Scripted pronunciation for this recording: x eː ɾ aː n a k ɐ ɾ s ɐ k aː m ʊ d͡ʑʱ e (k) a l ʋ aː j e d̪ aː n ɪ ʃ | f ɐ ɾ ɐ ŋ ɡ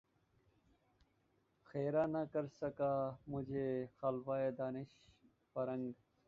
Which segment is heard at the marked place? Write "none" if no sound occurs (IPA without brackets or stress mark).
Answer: x